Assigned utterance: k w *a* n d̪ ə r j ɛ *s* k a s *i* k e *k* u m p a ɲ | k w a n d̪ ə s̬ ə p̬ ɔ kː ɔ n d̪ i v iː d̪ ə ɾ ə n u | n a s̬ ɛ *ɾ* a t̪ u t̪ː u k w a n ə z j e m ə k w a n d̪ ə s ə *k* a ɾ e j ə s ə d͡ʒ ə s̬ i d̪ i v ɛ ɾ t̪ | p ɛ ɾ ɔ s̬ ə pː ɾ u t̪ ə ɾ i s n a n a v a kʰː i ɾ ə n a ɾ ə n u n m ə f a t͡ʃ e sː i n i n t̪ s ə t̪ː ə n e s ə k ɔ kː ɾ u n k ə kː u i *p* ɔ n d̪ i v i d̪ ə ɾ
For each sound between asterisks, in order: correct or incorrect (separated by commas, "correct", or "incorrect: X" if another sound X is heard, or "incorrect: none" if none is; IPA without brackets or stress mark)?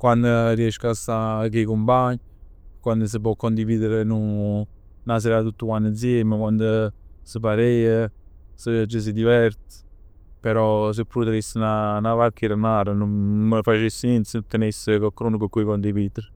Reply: correct, incorrect: ʃ, incorrect: a, correct, correct, incorrect: p, incorrect: k